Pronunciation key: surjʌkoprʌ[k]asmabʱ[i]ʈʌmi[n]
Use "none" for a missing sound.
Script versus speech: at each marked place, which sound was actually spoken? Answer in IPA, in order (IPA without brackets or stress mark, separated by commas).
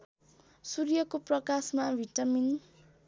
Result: k, i, n